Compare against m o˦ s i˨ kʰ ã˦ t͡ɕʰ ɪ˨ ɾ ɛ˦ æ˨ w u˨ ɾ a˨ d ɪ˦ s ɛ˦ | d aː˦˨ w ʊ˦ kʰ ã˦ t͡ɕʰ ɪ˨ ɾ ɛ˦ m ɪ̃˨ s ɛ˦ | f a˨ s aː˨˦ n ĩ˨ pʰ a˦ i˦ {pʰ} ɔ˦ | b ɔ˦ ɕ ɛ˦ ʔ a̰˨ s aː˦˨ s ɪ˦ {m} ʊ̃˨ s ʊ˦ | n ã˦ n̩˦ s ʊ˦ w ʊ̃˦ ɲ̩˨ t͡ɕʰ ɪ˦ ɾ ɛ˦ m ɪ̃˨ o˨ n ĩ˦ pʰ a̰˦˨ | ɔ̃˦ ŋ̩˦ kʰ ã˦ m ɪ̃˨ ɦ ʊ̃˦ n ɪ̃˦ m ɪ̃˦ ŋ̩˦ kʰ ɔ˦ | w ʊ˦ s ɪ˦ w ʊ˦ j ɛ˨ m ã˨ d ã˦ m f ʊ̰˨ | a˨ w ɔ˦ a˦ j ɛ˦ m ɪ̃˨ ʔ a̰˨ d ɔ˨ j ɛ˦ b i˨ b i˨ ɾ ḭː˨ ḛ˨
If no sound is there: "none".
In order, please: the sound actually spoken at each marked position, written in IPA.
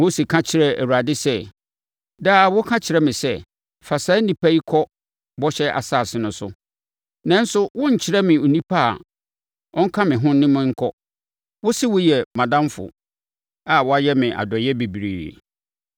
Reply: kʰ, n

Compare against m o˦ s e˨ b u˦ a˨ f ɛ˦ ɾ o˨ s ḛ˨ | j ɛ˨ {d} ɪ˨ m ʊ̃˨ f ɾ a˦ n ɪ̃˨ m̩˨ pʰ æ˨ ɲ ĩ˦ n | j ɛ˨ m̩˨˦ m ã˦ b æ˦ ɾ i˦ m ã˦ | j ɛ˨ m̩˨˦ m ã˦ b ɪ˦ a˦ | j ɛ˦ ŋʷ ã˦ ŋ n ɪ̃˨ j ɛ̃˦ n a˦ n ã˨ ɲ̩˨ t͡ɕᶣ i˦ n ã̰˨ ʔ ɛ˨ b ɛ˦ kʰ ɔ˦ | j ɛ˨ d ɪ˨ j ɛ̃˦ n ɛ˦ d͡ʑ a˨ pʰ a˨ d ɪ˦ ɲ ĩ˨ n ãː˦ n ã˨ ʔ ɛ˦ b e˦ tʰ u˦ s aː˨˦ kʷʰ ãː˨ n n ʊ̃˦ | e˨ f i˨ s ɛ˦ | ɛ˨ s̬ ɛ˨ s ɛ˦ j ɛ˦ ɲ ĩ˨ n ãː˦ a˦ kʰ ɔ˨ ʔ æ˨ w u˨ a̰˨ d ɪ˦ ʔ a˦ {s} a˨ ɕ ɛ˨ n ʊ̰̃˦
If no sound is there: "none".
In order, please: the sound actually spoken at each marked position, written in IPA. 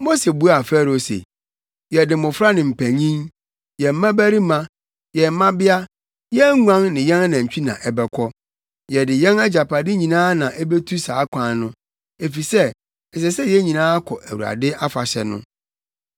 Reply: d, f

